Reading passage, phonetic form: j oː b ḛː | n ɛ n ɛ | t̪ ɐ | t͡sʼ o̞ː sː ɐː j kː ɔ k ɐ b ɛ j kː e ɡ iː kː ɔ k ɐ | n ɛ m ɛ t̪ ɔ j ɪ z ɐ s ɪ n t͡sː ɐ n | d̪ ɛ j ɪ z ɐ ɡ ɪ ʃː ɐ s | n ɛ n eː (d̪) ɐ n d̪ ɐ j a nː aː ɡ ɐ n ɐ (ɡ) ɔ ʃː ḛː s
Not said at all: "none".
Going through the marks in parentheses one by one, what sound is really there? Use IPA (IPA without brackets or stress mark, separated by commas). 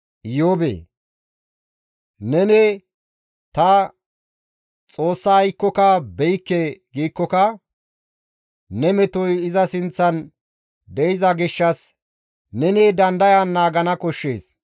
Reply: d̪, k